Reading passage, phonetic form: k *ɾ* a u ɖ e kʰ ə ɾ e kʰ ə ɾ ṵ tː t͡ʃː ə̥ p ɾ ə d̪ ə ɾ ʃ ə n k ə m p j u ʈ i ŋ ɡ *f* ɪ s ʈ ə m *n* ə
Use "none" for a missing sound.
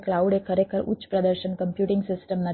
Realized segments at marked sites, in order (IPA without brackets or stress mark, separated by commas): l, s, n